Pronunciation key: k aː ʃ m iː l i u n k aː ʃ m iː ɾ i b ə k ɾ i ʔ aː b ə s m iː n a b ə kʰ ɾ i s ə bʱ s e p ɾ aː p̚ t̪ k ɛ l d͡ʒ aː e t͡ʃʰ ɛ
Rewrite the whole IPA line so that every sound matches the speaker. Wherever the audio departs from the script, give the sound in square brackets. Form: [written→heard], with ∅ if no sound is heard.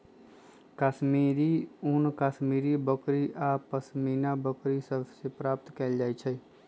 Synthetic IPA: k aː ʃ m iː [l→ɾ] i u n k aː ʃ m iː ɾ i b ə k ɾ i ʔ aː [b→p] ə s m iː n a b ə [kʰ→k] ɾ i s ə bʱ s e p ɾ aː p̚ t̪ k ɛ l d͡ʒ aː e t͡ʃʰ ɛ